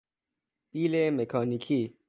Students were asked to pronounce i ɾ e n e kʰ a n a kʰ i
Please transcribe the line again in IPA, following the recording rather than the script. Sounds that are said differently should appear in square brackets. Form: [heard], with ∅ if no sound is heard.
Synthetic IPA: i [l] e [m] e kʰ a n [i] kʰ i